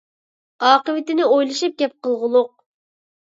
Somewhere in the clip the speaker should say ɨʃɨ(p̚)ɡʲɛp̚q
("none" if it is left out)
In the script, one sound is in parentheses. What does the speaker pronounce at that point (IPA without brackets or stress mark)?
p̚